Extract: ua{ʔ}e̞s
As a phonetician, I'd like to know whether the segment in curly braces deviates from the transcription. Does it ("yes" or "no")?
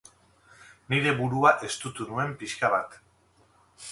no